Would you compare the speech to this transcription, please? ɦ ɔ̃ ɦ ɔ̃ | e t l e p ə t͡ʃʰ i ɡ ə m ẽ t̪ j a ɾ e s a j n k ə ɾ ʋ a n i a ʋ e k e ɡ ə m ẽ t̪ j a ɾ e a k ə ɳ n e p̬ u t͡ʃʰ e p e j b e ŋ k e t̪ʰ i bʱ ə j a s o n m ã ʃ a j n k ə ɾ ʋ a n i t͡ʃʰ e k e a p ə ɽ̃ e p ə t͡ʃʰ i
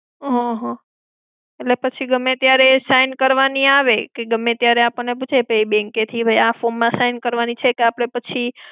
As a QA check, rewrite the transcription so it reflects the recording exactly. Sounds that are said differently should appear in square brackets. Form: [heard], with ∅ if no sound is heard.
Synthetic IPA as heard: ɦ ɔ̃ ɦ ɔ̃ | e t l e p ə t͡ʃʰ i ɡ ə m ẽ t̪ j a ɾ e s a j n k ə ɾ ʋ a n i a ʋ e k e ɡ ə m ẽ t̪ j a ɾ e a [p] ə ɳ n e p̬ u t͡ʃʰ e p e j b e ŋ k e t̪ʰ i bʱ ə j a [f] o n m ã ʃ a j n k ə ɾ ʋ a n i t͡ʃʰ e k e a p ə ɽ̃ e p ə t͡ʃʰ i